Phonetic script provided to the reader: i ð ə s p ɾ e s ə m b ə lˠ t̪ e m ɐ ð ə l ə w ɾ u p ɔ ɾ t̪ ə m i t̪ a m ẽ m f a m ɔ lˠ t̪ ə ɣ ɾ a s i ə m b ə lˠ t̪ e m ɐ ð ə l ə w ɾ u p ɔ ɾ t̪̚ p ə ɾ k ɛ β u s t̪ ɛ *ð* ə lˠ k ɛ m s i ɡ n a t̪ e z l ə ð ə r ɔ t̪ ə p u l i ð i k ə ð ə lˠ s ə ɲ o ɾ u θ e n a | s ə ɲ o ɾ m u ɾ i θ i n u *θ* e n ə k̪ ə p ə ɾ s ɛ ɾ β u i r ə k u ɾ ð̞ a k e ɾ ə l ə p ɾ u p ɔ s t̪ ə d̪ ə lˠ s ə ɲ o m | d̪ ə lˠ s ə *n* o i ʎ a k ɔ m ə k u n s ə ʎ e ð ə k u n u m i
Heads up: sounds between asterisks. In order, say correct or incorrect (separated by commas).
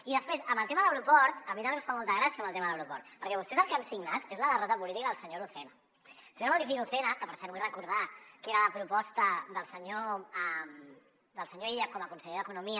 incorrect, correct, incorrect